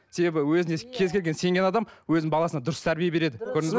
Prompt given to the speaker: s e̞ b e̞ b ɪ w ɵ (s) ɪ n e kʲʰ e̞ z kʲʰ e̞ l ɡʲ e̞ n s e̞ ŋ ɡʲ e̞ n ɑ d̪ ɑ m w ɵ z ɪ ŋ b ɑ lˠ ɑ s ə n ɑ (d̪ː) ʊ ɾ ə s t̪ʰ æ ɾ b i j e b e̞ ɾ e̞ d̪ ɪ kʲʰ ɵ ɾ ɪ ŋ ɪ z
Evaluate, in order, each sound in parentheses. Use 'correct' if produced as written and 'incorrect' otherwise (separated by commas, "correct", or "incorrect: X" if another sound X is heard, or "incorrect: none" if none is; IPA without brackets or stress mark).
incorrect: z, incorrect: d̪